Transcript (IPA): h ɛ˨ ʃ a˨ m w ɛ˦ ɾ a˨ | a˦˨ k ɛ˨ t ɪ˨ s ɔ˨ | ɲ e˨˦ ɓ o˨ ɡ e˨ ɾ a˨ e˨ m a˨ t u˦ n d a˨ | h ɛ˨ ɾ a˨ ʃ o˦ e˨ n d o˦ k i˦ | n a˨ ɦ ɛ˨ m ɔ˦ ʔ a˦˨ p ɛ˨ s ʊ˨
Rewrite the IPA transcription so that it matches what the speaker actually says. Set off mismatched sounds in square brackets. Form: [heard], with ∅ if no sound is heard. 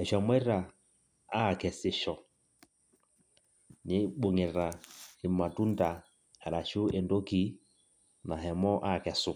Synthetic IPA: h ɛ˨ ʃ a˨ m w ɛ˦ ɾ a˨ | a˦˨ k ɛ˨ [s] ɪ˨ [ʃ] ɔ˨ | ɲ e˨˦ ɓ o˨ [ŋ] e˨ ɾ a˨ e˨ m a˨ t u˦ n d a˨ | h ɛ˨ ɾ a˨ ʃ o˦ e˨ n d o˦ k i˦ | n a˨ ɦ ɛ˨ m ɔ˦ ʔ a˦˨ [k] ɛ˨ s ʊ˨

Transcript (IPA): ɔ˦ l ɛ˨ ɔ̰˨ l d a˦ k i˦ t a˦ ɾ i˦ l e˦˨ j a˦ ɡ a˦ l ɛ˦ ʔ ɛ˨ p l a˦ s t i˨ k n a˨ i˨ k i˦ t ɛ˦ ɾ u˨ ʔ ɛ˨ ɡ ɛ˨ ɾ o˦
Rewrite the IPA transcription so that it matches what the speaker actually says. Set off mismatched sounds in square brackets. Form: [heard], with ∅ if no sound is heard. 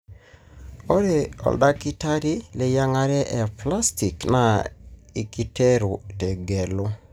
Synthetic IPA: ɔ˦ [ɾ] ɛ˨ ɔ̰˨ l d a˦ k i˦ t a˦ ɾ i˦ l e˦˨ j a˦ [ŋ] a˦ [ɾ] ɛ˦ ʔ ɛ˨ p l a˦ s t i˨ k n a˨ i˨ k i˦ t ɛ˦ ɾ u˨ [t] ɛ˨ ɡ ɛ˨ [l] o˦

